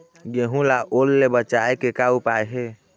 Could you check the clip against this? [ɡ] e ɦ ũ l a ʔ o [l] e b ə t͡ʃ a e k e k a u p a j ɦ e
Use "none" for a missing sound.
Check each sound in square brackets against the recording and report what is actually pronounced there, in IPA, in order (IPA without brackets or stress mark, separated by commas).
ɡ, lː